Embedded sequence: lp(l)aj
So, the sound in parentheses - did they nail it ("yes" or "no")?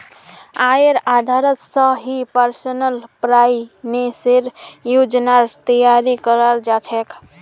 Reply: no